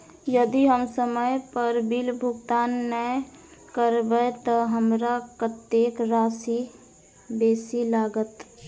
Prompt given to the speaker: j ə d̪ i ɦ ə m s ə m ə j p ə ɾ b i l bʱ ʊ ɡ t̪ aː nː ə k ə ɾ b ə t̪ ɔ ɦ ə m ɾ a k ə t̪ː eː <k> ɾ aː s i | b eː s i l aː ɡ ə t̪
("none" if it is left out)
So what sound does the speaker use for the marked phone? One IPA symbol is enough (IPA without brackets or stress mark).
k